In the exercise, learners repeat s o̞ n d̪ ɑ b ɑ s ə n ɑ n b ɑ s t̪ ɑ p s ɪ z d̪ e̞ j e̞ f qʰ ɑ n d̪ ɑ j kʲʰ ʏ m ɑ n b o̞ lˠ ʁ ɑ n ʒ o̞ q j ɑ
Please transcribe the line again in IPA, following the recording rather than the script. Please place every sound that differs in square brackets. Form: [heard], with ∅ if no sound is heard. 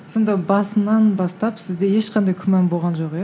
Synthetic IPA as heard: s o̞ n d̪ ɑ b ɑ s ə n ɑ n b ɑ s t̪ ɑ p s ɪ z d̪ e̞ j e̞ [ʃ] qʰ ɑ n d̪ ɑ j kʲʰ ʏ m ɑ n b o̞ lˠ ʁ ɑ n ʒ o̞ q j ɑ